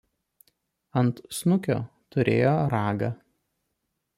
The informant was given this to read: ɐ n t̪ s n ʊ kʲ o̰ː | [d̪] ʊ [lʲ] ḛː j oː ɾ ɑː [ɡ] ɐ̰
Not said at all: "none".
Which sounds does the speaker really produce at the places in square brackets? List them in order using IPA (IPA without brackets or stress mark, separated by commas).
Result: t̪, ɾʲ, ɡ